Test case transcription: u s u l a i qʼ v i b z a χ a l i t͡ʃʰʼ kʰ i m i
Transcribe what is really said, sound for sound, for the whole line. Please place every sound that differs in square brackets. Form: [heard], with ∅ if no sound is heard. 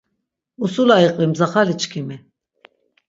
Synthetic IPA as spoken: u s u l a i qʼ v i [m] z a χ a l i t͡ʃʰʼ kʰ i m i